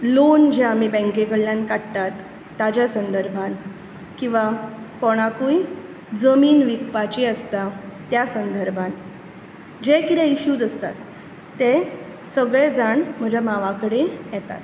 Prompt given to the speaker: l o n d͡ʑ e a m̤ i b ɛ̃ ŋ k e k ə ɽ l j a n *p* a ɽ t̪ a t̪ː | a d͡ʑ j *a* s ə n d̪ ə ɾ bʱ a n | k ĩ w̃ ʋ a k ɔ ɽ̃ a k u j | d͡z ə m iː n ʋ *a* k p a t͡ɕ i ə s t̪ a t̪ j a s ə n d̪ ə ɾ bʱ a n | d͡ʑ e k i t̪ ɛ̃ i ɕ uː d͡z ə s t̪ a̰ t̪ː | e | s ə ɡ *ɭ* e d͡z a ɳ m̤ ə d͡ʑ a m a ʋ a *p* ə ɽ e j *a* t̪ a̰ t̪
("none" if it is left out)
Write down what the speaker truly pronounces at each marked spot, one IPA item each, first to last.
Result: k, a, i, ɭ, k, ɛ

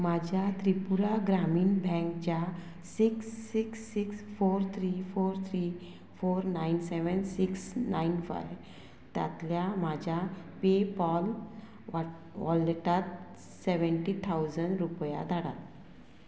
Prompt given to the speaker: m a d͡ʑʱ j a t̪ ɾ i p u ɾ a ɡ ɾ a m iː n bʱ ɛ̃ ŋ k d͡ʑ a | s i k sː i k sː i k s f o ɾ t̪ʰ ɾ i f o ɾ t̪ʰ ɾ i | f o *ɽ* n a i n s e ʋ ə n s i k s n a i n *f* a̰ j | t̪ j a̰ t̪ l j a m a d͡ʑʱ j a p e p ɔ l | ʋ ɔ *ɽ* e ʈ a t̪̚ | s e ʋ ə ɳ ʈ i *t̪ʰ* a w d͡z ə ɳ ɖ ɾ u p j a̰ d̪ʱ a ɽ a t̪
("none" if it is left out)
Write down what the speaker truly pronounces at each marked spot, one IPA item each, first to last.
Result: ɾ, f, l, t̪ʰ

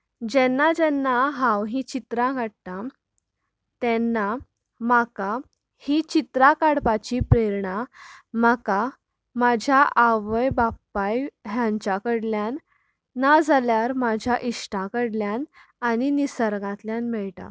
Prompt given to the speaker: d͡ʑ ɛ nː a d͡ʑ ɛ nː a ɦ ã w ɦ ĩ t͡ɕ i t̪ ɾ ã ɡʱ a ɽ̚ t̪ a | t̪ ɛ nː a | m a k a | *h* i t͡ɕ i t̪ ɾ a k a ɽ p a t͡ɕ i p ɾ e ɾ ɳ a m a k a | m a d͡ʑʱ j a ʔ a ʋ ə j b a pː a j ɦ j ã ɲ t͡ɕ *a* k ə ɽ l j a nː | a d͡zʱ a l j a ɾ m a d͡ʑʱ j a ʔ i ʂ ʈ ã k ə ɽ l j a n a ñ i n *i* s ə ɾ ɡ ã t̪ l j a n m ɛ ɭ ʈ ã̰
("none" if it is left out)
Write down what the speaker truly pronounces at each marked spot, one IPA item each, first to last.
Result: h, a, i

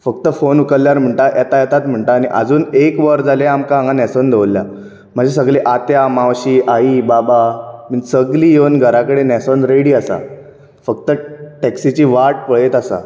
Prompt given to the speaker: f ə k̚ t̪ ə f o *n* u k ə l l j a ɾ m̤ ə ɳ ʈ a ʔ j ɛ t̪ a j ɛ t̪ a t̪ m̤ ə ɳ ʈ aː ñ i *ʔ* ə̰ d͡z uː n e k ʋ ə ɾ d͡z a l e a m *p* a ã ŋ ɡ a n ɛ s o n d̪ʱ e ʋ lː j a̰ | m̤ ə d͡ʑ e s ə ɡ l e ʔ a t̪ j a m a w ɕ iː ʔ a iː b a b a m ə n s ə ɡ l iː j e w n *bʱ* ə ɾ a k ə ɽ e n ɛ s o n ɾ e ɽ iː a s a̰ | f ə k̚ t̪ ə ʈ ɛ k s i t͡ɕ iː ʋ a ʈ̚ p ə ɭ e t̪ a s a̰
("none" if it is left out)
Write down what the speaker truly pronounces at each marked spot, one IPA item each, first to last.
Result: n, ʔ, k, ɡʱ

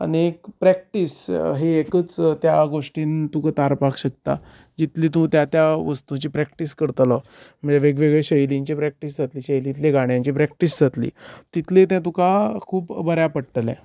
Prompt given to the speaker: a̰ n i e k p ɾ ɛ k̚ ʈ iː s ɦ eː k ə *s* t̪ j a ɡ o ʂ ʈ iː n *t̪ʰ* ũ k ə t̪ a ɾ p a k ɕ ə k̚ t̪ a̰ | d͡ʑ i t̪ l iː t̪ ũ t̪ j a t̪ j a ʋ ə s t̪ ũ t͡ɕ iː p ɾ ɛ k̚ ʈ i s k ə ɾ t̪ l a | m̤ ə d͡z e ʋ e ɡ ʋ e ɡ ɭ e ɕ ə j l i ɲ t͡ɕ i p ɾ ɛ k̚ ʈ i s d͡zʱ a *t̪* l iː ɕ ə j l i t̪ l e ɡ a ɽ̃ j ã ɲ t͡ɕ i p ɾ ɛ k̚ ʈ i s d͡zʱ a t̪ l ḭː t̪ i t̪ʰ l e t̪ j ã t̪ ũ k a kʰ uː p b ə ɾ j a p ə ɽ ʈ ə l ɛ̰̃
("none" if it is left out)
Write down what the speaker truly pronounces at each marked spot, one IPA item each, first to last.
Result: t͡s, t̪, t̪

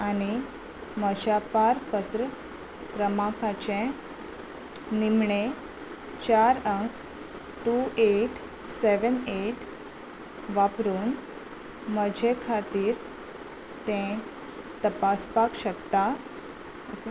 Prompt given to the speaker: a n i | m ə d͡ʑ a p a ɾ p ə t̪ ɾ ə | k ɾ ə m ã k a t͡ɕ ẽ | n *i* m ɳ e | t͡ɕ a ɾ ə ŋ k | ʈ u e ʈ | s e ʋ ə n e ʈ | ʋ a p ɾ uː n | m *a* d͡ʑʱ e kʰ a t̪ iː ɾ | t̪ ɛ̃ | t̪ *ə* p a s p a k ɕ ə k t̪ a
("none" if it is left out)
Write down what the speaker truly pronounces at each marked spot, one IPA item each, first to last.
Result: i, ə, ə

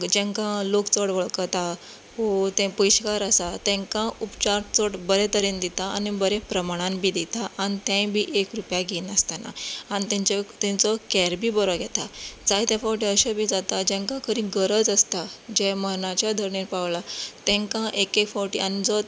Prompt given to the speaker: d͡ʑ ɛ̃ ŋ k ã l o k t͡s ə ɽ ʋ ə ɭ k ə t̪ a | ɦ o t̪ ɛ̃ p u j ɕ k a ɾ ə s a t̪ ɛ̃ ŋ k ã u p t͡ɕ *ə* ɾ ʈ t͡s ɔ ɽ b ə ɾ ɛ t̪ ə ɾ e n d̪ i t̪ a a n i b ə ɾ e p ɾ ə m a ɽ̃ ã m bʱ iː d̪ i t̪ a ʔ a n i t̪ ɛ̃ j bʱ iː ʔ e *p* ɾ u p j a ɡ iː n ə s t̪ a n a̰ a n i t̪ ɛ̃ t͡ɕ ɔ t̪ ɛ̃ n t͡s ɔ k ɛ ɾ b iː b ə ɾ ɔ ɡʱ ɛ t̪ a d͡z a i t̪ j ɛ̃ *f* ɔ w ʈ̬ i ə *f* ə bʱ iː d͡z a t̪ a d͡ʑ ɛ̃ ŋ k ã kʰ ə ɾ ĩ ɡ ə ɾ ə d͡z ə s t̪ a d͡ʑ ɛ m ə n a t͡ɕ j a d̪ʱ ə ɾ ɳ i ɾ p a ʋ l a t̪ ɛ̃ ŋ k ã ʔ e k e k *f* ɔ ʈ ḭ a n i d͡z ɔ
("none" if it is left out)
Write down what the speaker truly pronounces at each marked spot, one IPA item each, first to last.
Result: a, k, f, ɕ, f

